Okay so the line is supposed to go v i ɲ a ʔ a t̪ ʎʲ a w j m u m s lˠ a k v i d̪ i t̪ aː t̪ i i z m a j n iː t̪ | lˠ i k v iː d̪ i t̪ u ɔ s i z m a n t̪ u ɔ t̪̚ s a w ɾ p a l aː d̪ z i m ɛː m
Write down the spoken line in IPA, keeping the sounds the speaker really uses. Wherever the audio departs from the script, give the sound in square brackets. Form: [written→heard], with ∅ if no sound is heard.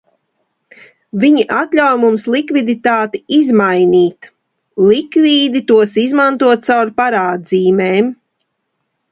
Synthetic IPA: v i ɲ [a→i] ʔ a t̪ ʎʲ a w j m u m s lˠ [a→i] k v i d̪ i t̪ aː t̪ i i z m a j n iː t̪ | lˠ i k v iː d̪ i t̪ u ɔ s i z m a n t̪ u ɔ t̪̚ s a w ɾ p a [l→ɾ] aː d̪ z [i→iː] m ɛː m